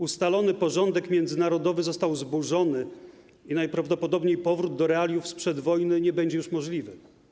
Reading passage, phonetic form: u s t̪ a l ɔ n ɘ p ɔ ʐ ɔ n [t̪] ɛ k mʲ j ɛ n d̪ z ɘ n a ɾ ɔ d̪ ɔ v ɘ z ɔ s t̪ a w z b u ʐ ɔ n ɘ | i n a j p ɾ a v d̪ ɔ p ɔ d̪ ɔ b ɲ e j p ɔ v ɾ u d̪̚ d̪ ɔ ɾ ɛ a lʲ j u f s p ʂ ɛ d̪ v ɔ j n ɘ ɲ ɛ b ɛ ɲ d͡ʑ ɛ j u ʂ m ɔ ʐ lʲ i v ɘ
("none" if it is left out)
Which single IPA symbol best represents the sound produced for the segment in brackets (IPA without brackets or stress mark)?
d̪